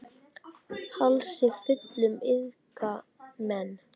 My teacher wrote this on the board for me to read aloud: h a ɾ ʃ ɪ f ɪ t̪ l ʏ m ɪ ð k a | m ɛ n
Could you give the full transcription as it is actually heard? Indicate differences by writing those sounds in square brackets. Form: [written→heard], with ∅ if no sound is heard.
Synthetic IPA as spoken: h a [ɾ→l] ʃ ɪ f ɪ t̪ l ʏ m ɪ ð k a | m ɛ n